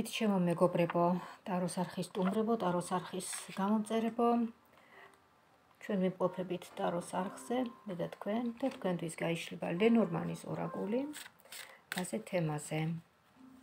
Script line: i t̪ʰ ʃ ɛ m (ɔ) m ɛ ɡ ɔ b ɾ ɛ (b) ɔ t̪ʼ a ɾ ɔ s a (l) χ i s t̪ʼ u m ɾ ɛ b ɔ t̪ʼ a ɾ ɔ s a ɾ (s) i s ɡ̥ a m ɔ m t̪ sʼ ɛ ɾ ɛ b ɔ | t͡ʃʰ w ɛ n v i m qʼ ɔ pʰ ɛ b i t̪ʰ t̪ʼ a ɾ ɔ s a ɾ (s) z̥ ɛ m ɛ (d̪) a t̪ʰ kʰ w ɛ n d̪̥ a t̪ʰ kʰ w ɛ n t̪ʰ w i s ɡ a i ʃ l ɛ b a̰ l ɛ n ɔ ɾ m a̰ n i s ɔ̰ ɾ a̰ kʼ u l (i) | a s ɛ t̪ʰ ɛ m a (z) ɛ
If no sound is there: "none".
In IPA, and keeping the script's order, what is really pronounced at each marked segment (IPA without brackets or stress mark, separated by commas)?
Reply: ɔ, b, ɾ, χ, χ, d̪, i, z